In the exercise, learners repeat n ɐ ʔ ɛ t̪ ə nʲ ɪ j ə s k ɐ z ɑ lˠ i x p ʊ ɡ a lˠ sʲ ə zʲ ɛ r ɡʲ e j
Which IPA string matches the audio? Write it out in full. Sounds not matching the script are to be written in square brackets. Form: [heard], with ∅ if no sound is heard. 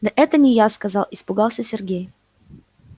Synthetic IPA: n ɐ ʔ ɛ t̪ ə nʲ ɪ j [a] s k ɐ z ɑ lˠ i [s] p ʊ ɡ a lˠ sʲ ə [sʲ] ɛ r ɡʲ e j